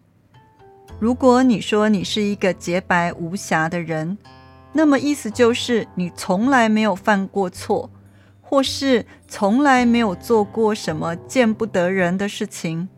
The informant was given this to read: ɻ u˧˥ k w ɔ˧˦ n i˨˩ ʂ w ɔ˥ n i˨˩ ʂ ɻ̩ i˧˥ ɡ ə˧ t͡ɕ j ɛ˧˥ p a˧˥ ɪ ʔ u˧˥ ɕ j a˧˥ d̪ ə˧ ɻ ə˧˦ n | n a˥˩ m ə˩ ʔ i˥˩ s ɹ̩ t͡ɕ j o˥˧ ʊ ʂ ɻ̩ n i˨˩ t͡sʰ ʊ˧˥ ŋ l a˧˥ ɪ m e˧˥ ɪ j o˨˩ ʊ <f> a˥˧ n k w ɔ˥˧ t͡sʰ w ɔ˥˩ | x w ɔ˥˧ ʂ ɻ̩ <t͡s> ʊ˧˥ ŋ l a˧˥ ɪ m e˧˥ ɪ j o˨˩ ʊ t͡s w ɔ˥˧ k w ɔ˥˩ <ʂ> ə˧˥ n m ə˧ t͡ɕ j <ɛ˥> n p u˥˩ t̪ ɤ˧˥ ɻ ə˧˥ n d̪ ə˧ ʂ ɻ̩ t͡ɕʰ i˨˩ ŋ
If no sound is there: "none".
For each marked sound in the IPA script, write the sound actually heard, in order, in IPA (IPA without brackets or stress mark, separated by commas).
f, t͡sʰ, ʂ, ɛ˥˧